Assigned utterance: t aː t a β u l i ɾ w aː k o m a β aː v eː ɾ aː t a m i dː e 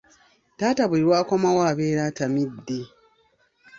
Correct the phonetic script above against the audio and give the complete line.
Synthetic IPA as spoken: t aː t a β u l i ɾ w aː k o m a w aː β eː ɾ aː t a m i dː e